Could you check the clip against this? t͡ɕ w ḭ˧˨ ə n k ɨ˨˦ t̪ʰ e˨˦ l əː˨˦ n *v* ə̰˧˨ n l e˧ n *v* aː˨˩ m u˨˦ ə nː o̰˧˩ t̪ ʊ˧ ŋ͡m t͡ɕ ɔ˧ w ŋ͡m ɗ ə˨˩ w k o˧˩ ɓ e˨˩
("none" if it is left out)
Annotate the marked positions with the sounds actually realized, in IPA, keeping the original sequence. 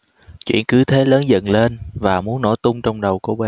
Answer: z, v

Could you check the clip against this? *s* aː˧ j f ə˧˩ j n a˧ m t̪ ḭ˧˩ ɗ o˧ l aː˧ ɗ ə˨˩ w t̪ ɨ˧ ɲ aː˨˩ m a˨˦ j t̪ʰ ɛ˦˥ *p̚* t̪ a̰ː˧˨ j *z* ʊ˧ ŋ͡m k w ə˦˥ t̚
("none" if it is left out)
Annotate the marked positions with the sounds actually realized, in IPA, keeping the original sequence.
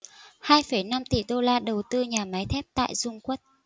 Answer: h, p̚, z

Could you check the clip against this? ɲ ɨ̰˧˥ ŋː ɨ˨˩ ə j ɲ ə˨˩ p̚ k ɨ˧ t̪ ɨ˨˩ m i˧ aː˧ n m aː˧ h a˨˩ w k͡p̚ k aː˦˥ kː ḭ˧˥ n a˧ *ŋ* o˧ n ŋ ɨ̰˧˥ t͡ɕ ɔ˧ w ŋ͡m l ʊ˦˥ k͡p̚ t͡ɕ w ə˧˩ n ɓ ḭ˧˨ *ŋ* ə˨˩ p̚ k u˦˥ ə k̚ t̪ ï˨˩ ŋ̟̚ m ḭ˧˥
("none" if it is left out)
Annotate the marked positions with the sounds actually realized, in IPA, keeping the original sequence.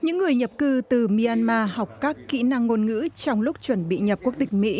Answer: ŋː, ɲ

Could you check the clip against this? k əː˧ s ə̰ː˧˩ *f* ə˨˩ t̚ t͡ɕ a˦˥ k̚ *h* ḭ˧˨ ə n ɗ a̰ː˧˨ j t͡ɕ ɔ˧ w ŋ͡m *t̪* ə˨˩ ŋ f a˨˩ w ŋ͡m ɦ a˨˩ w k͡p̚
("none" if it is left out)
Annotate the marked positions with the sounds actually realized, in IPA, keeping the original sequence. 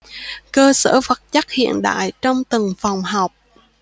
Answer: f, h, t̪

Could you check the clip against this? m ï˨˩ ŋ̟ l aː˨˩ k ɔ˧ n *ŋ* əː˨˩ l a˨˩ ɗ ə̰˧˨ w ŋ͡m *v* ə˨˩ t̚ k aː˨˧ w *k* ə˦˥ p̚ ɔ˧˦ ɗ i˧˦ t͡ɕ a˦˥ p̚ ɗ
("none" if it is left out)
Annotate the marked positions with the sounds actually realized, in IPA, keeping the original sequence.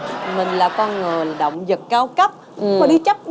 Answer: ŋ, z, k

